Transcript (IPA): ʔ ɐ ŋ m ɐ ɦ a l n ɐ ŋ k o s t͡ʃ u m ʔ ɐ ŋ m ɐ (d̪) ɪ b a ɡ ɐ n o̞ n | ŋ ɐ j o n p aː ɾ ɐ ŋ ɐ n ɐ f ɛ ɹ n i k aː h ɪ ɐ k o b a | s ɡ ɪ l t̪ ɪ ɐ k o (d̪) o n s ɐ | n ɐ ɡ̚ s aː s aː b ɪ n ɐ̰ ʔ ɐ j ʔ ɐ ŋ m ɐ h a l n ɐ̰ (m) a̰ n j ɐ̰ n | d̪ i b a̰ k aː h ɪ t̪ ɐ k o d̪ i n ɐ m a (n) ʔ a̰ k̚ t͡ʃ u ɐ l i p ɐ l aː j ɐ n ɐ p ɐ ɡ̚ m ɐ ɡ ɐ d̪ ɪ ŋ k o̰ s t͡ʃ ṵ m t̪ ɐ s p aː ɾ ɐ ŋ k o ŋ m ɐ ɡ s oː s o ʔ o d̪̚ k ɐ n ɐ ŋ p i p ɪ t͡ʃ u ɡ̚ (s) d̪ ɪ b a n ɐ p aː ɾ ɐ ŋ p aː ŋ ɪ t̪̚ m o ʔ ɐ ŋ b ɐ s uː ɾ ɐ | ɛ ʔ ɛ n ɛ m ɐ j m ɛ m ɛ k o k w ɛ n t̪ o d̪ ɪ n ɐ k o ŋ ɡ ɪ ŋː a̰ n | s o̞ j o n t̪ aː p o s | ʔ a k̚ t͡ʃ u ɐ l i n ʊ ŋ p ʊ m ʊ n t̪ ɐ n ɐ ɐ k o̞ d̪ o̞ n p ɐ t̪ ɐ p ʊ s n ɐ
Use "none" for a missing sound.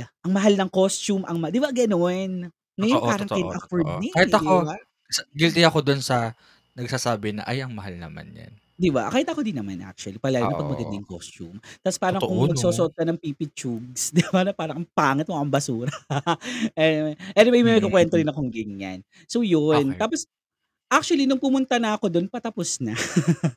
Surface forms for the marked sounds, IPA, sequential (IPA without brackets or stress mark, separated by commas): d̪, d̪, m, n, s